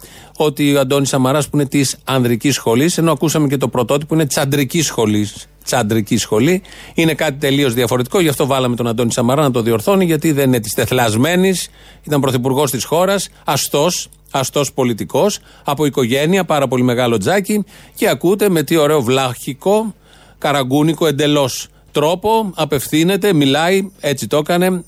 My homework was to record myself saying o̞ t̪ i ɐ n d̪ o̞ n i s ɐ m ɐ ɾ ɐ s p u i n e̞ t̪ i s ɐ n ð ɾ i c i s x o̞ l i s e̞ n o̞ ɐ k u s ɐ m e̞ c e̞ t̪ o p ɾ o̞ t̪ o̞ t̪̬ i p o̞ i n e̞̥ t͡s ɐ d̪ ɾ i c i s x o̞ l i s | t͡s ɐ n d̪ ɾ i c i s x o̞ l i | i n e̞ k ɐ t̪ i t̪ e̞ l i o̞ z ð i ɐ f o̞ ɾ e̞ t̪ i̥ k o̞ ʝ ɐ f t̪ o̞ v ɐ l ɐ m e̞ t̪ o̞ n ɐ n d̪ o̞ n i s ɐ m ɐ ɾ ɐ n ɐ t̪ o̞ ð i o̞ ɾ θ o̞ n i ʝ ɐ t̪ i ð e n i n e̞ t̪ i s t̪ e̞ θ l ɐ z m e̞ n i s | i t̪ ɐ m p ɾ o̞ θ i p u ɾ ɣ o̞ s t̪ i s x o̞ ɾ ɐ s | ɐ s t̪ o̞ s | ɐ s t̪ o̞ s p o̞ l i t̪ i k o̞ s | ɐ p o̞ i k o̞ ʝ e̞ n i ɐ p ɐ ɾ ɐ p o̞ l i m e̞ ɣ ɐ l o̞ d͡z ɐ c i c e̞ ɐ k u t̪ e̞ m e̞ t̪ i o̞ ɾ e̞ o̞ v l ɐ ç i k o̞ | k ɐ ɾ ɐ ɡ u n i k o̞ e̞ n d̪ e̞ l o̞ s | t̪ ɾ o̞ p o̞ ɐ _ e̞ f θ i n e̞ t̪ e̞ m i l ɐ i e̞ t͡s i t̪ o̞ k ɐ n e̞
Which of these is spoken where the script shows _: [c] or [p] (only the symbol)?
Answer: p